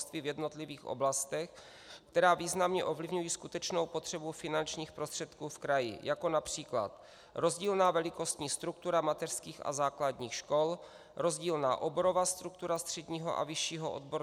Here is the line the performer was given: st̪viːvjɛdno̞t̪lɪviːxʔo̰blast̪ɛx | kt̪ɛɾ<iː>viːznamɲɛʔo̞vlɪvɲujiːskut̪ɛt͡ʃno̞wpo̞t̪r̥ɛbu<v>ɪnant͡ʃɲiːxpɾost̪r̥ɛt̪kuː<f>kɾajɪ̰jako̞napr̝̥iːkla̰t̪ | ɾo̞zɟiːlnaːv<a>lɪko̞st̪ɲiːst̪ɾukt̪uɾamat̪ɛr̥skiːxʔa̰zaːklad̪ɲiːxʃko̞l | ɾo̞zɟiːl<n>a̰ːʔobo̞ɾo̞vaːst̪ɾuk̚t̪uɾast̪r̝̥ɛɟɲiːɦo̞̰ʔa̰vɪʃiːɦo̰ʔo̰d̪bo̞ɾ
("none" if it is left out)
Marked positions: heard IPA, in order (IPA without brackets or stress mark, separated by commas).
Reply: aː, f, f, ɛ, n